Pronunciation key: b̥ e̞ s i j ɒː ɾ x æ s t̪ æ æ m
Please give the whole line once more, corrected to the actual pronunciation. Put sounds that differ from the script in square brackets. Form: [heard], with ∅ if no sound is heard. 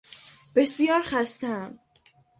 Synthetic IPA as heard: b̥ e̞ s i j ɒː ɾ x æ s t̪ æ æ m